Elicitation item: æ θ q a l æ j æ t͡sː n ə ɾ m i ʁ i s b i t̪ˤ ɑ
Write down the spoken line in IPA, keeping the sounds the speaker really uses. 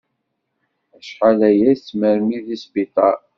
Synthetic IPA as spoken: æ ʃ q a l æ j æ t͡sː m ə ɾ m i ð i s b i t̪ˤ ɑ